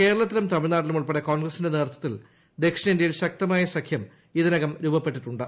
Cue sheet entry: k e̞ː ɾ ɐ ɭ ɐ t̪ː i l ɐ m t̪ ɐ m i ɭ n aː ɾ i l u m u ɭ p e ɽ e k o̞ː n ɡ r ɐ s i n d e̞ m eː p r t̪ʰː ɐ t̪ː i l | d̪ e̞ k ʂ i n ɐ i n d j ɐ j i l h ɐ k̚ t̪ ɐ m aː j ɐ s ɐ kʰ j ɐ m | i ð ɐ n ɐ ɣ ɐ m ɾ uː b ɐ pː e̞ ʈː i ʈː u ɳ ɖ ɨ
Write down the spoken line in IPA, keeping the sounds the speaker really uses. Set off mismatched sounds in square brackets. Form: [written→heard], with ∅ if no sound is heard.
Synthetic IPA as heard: k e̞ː ɾ ɐ ɭ ɐ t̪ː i l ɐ m t̪ ɐ m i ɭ n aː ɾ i l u m u ɭ p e ɽ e k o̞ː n ɡ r ɐ s i n d e̞ [m→n] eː [p→∅] r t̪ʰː ɐ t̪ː i l | d̪ e̞ k ʂ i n ɐ i n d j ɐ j i l [h→ɕ] ɐ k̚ t̪ ɐ m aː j ɐ s ɐ kʰ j ɐ m | i ð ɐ n ɐ ɣ ɐ m ɾ uː b ɐ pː e̞ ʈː i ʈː u ɳ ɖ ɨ